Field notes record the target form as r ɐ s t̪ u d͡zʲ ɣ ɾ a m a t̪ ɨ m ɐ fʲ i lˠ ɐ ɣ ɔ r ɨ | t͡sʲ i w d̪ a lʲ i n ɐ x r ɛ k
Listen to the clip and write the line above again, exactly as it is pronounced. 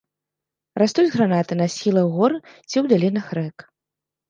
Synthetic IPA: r a s t̪ u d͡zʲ ɣ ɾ a n a t̪ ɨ n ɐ sʲ i lˠ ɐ ɣ ɔ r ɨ | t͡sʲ i w d̪ a lʲ i n ɐ x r ɛ k